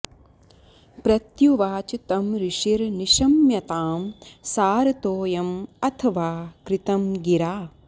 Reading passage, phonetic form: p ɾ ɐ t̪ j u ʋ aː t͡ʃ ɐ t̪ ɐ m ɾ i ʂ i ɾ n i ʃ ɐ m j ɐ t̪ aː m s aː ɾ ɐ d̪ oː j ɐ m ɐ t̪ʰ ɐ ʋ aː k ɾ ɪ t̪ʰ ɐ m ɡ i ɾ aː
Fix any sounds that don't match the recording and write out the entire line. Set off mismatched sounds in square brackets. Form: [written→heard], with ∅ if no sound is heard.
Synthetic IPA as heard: p ɾ ɐ t̪ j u ʋ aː t͡ʃ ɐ t̪ ɐ m ɾ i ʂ i ɾ n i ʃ ɐ m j ɐ t̪ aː m s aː ɾ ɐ [d̪→t̪] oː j ɐ m ɐ t̪ʰ ɐ ʋ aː k ɾ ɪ [t̪ʰ→t̪] ɐ m ɡ i ɾ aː